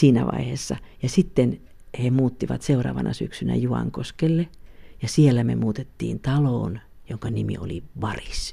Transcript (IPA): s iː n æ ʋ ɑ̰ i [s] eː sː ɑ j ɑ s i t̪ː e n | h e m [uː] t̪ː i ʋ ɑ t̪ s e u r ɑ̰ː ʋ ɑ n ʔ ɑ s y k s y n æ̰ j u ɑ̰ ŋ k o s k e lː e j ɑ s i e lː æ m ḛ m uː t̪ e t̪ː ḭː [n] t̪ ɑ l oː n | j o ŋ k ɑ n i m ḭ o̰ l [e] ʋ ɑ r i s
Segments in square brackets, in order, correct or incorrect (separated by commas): incorrect, correct, correct, incorrect